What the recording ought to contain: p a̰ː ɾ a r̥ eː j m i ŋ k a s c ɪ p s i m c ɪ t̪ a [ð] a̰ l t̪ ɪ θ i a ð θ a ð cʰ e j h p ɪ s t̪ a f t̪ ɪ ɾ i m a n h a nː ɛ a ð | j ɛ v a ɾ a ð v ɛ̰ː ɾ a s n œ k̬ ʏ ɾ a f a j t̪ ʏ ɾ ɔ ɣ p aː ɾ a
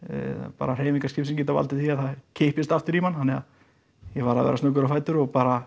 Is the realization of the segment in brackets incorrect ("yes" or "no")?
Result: yes